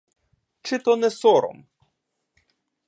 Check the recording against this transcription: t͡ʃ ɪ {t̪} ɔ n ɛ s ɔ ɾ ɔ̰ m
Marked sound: correct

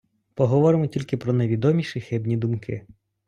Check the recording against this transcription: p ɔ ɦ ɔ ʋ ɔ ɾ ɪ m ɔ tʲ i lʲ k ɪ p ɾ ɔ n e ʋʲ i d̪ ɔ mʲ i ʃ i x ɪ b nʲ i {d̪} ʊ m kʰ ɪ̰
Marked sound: correct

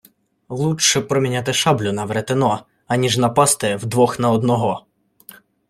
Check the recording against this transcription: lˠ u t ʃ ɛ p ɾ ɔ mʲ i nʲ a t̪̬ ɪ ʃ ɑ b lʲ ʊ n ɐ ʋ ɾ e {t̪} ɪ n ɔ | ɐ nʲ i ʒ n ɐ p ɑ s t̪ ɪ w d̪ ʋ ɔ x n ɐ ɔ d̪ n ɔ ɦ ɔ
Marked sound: correct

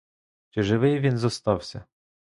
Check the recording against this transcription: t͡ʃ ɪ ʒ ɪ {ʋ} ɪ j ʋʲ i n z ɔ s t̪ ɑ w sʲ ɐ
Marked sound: correct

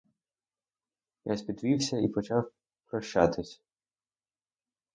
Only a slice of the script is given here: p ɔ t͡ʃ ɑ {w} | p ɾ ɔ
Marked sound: correct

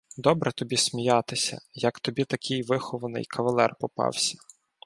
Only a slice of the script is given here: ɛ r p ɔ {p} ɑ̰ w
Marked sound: correct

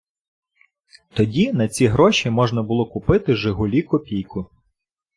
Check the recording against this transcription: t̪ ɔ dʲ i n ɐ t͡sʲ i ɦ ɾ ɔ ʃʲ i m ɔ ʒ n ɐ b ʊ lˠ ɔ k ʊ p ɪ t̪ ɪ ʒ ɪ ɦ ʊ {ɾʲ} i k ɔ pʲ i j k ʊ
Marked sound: incorrect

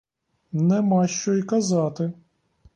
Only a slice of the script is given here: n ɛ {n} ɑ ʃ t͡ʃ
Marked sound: incorrect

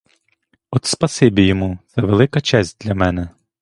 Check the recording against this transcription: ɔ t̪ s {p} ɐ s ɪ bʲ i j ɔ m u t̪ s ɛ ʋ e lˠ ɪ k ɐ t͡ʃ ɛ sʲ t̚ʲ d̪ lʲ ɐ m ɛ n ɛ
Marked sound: correct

